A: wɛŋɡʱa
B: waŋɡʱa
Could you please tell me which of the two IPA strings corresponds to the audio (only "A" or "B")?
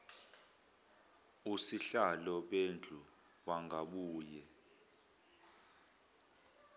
B